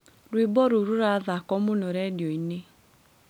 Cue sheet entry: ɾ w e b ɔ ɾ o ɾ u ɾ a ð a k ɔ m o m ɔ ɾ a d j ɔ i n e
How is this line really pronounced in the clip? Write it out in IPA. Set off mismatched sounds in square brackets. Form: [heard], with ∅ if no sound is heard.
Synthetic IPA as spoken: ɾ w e b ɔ ɾ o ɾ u ɾ a ð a k ɔ m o [n] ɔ ɾ [ɛ] d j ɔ i n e